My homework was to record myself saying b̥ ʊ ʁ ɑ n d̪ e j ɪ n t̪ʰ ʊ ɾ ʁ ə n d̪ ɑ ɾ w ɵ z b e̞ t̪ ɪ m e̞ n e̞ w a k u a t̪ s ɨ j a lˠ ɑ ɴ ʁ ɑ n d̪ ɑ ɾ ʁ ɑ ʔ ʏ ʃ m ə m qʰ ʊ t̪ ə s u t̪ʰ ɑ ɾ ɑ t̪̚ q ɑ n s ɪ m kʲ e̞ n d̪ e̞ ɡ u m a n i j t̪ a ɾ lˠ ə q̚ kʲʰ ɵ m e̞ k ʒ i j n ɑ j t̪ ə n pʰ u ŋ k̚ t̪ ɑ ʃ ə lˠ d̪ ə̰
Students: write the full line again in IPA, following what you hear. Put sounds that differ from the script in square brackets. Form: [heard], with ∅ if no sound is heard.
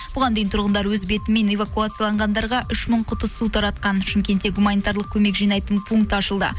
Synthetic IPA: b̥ ʊ ʁ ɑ n d̪ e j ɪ n t̪ʰ ʊ ɾ ʁ ə n d̪ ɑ ɾ w ɵ z b e̞ t̪ ɪ m e̞ n e̞ [v] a k u a t̪ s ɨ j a lˠ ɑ ɴ ʁ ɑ n d̪ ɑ ɾ ʁ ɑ ʔ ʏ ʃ m ə [ɴ] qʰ ʊ t̪ ə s u t̪ʰ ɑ ɾ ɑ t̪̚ q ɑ n [ʃ] ɪ m kʲ e̞ n [t̪] e̞ ɡ u m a n i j t̪ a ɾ lˠ ə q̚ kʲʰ ɵ m e̞ k ʒ i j n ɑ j t̪ ə n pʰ u ŋ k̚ t̪ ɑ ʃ ə lˠ d̪ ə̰